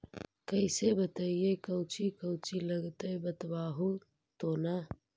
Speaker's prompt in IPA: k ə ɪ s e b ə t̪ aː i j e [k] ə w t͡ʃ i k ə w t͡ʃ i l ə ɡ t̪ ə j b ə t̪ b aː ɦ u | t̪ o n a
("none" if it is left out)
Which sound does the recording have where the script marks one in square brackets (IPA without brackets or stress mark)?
k